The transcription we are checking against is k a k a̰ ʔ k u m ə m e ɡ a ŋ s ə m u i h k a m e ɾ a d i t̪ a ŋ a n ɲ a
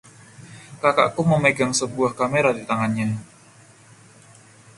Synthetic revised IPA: k a k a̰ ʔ k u m ə m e ɡ a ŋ s ə b u a h k a m e ɾ a d i t̪ a ŋ a n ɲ a